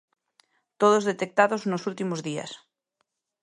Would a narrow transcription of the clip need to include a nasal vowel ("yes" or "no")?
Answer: no